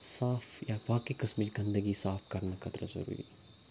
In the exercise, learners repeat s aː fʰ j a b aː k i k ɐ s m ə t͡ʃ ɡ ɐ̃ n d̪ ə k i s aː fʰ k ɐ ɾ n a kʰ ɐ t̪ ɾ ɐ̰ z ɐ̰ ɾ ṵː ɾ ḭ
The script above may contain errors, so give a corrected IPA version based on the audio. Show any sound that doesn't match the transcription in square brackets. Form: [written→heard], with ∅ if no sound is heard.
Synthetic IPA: s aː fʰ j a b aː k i k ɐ s m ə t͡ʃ ɡ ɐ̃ n d̪ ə [k→ɡ] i s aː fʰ k ɐ ɾ n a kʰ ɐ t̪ ɾ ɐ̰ z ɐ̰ ɾ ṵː ɾ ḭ